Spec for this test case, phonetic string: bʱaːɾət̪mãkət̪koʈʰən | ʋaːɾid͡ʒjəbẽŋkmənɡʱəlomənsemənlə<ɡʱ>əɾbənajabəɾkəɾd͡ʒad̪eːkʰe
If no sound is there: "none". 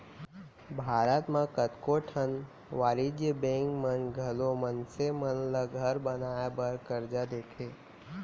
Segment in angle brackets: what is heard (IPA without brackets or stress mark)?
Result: ɡʱ